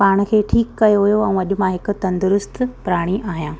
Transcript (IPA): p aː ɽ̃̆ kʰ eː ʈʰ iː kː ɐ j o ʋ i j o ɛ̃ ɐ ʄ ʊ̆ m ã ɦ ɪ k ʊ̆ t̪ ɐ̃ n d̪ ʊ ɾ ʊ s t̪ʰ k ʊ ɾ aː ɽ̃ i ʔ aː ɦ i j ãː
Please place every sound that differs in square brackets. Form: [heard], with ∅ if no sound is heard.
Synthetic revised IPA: p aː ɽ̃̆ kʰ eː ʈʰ iː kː ɐ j o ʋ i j o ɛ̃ ɐ ʄ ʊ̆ m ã ɦ ɪ k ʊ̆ t̪ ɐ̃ n d̪ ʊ ɾ ʊ s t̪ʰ [p] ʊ ɾ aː ɽ̃ i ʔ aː ɦ i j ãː